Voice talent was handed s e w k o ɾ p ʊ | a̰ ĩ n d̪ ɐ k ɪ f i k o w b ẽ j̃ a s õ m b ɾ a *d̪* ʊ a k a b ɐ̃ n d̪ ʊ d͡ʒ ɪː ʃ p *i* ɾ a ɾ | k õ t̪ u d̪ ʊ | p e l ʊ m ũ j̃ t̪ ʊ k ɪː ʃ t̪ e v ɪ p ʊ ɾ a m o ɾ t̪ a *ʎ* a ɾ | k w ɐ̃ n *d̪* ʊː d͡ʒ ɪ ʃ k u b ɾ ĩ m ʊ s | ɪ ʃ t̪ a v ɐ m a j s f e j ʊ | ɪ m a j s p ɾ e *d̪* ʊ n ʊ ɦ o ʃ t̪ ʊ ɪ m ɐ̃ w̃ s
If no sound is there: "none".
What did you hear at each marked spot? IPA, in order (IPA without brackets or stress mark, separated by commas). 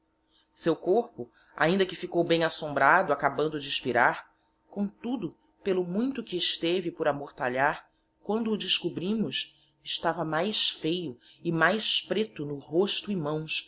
d̪, i, ʎ, d̪, t̪